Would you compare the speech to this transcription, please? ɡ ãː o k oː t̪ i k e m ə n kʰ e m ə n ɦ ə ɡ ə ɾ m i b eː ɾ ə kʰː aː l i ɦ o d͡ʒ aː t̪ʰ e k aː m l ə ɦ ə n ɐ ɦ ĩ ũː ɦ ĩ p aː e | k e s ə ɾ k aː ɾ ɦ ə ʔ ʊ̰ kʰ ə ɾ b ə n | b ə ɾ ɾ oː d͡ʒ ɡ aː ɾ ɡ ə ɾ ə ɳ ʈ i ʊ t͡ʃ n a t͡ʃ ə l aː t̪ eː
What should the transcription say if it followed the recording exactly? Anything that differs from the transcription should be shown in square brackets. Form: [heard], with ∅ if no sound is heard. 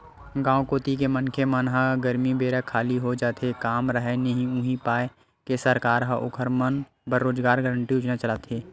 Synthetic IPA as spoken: ɡ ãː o k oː t̪ i k e m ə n kʰ e m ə n ɦ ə ɡ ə ɾ m i b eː ɾ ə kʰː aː l i ɦ o d͡ʒ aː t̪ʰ e k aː m [ɾ] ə ɦ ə n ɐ ɦ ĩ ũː ɦ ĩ p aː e | k e s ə ɾ k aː ɾ ɦ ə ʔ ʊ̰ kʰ ə ɾ [m] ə n | b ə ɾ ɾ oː d͡ʒ ɡ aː ɾ ɡ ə ɾ ə ɳ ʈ i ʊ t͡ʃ n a t͡ʃ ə l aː t̪ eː